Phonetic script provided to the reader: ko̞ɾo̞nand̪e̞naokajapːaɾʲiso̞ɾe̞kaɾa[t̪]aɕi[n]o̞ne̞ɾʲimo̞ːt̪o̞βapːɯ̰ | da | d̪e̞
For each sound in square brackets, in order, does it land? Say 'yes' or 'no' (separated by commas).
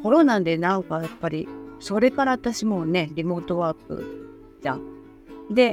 yes, no